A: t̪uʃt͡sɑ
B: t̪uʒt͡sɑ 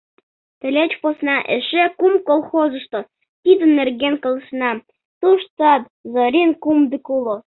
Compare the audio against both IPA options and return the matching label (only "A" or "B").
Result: A